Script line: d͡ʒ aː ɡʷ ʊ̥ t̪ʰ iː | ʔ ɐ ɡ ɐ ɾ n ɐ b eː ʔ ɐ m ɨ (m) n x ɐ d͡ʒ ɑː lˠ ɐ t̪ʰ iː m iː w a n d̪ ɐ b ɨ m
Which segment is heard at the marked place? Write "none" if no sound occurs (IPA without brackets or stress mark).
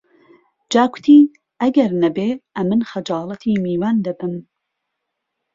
none